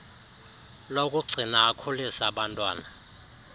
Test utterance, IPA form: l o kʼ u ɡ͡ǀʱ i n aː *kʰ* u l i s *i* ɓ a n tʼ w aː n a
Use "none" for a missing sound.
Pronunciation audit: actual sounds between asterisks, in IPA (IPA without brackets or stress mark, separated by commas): kʰ, a